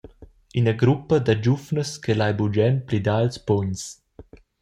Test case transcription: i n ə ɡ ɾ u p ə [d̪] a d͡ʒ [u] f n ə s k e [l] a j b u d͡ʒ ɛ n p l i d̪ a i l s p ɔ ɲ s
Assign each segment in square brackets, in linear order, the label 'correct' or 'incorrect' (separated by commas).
correct, correct, correct